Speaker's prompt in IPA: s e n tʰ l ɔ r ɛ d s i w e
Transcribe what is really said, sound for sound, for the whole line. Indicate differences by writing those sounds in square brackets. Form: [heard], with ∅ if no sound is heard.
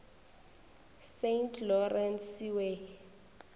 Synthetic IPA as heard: s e n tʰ l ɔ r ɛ [n] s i w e